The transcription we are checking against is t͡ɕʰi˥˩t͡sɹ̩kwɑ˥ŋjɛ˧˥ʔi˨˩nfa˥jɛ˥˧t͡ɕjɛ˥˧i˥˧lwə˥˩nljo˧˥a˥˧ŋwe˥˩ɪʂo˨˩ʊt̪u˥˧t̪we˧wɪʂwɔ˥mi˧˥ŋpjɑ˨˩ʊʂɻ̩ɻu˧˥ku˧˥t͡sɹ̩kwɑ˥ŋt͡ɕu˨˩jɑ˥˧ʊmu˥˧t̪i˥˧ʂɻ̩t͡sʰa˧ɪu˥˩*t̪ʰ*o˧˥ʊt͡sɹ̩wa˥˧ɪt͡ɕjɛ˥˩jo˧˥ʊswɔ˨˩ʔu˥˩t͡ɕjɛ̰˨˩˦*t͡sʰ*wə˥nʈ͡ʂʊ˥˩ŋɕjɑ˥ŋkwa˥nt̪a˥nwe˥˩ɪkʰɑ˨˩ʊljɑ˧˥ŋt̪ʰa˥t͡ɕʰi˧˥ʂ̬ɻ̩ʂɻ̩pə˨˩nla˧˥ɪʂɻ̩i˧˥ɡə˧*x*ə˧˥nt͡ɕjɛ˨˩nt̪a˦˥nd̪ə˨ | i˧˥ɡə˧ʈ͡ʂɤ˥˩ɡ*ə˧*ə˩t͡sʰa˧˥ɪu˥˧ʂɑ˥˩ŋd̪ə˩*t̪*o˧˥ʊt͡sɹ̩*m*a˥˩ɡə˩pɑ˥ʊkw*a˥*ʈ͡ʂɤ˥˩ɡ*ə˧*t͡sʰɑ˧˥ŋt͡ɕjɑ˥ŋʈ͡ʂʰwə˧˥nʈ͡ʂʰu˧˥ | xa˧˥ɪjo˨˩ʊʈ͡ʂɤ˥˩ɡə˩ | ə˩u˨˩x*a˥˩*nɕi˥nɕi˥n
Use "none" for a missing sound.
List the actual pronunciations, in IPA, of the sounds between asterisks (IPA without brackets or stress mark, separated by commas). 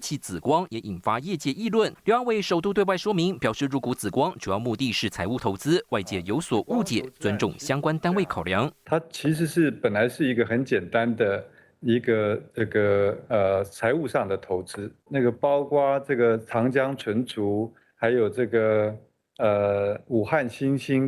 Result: t̪ʰ, t͡s, x, ə˩, t̪ʰ, n, a˥, ə˩, a˥˩